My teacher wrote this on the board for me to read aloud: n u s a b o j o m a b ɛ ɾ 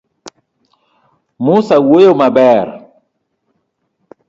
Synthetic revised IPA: m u s a w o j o m a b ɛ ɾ